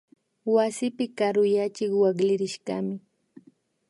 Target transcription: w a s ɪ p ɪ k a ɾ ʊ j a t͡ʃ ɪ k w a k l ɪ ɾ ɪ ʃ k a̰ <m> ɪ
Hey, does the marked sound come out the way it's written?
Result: yes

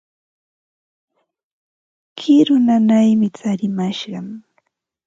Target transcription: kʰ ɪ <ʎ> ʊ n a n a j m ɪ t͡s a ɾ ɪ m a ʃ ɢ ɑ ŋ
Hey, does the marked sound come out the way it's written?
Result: no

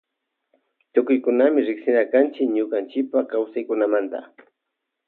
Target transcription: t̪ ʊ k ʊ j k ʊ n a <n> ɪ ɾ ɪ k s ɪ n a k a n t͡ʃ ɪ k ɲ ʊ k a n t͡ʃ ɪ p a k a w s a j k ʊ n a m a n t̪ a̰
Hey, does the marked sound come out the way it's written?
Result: no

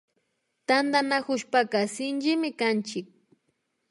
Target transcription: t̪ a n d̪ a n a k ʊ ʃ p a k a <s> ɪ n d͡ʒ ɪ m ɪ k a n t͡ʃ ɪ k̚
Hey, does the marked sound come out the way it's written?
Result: yes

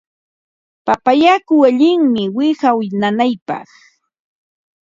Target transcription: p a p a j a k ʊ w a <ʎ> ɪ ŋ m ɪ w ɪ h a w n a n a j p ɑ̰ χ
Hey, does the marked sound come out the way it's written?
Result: yes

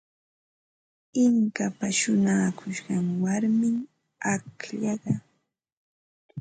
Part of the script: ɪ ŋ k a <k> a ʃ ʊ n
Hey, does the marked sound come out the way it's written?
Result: no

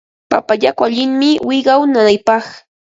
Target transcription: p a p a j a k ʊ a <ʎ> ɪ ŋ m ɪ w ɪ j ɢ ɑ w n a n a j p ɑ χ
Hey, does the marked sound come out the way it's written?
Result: yes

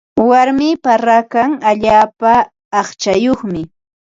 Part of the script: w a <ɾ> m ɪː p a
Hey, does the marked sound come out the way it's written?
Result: yes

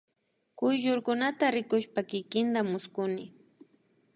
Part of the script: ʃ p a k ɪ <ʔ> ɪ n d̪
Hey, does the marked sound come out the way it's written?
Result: no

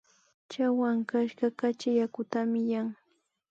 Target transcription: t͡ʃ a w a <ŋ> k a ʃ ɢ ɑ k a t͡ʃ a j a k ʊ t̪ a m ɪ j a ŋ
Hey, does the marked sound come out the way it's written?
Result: yes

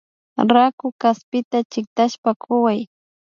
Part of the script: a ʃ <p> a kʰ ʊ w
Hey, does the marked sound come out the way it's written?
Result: yes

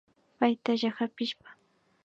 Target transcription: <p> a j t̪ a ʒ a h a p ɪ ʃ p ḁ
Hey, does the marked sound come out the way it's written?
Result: yes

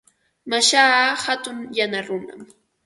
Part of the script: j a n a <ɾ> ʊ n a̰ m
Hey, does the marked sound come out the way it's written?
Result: yes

